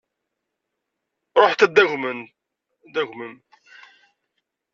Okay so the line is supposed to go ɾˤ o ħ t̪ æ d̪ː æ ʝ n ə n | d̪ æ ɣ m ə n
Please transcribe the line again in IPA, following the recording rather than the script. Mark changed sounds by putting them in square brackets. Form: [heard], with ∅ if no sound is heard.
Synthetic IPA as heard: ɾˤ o ħ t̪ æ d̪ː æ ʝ [m] ə n | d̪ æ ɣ m ə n